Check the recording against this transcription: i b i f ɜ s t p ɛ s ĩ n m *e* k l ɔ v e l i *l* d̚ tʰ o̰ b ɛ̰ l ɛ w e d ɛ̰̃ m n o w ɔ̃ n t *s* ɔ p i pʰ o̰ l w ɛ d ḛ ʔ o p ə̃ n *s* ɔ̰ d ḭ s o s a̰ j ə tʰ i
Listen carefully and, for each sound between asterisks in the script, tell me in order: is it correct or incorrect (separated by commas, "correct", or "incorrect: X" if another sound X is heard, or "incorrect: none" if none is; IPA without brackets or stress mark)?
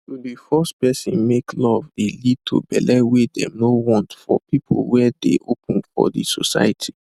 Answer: correct, incorrect: none, incorrect: f, incorrect: f